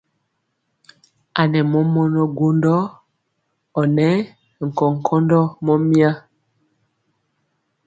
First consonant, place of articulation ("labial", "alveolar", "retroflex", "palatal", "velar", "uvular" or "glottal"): alveolar